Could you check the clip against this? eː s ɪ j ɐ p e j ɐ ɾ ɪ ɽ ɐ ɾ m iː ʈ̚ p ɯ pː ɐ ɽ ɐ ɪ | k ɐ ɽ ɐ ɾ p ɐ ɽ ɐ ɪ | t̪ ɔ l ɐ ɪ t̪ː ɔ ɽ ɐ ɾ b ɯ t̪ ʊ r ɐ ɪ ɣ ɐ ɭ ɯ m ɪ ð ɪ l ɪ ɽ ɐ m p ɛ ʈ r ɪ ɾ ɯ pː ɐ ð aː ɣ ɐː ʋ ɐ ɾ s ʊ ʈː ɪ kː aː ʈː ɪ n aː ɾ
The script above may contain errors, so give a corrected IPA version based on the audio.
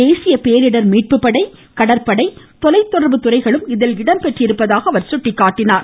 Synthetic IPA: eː s ɪ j ɐ p e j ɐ ɾ ɪ ɽ ɐ ɾ m iː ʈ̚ p ɯ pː ɐ ɽ ɐ ɪ | k ɐ ɽ ɐ ɾ p ɐ ɽ ɐ ɪ | t̪ ɔ l ɐ ɪ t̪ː ɔ ɽ ɐ ɾ b ɯ t̪ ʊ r ɐ ɪ ɣ ɐ ɭ ɯ m ɪ ð ɪ l ɪ ɽ ɐ m p ɛ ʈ r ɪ ɾ ɯ pː ɐ ð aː ɣ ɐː ʋ ɐ ɾ s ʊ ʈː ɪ kː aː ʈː ɪ n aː ɾ